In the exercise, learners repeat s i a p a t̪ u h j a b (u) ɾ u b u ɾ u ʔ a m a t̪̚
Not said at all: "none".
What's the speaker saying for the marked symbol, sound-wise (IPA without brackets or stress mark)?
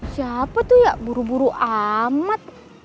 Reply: u